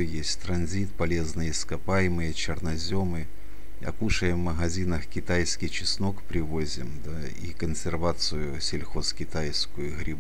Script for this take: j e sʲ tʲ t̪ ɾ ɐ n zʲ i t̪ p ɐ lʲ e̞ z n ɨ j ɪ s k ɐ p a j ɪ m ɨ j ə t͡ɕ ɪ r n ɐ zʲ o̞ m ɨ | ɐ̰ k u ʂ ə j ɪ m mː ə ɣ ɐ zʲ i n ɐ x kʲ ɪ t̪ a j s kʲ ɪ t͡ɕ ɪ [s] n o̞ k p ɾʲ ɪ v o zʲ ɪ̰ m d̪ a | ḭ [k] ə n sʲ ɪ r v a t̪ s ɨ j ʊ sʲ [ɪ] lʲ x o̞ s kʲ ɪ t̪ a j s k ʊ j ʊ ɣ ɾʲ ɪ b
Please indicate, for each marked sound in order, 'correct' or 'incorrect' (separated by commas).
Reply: correct, correct, correct